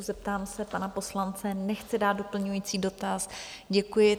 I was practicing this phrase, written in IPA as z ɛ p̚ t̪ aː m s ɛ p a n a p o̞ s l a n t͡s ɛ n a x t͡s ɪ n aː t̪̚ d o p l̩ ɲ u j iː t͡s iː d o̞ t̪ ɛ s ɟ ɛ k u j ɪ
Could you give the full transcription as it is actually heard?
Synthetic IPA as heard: z ɛ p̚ t̪ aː m s ɛ p a n a p o̞ s l a n t͡s ɛ n ɛ x t͡s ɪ d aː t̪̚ d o p l̩ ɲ u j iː t͡s iː d o̞ t̪ a s ɟ ɛ k u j ɪ